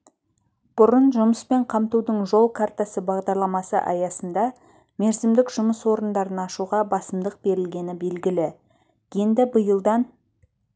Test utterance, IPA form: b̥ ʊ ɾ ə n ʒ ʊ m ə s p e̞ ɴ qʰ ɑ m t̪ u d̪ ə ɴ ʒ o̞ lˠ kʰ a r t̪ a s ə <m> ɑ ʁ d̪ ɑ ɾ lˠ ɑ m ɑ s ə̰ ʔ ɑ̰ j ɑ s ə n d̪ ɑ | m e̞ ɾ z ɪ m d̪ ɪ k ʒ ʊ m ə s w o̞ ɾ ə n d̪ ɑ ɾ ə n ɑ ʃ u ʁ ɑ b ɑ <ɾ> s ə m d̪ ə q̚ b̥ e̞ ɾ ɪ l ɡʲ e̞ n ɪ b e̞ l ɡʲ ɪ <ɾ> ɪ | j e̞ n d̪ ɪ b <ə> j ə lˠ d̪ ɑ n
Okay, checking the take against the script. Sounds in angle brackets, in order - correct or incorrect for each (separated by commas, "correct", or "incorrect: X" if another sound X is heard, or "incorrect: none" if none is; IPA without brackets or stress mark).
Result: incorrect: b, incorrect: none, incorrect: l, correct